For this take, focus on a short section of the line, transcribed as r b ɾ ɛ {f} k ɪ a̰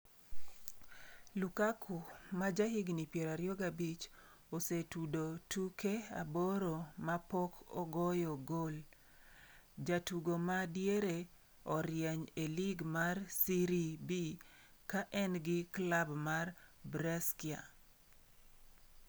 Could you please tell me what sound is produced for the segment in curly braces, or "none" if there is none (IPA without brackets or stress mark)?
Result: s